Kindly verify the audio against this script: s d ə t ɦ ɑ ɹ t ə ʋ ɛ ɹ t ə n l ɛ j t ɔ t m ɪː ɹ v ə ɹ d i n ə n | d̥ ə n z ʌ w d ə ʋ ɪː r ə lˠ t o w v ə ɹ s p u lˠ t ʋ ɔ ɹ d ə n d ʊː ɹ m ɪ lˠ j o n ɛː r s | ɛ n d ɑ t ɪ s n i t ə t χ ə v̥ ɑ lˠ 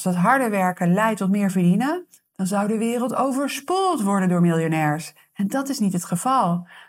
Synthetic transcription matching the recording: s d ɑ t ɦ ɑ ɹ d ə ʋ ɛ ɹ k ə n l ɛ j t ɔ t m ɪː ɹ v ə ɹ d i n ə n | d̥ ɑ n z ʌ w d ə ʋ ɪː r ə lˠ t o w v ə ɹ s p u lˠ t ʋ ɔ ɹ d ə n d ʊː ɹ m ɪ lˠ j o n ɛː ɹ s | ɛ n d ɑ t ɪ s n i t ə t χ ə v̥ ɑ lˠ